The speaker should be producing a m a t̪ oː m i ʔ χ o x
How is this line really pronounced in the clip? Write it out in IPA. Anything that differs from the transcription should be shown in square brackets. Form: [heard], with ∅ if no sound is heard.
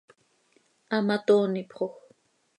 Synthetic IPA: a m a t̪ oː [n] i [p] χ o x